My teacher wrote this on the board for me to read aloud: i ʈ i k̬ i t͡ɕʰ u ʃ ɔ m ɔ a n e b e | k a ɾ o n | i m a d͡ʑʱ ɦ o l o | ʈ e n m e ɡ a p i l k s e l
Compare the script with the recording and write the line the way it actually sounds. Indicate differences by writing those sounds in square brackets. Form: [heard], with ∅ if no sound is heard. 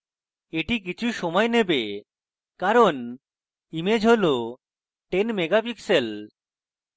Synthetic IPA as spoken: [e] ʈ i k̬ i t͡ɕʰ u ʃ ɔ m ɔ [e] n e b e | k a ɾ o n | i m [e] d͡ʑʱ ɦ o l o | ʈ e n m e ɡ a p i [∅] k s e l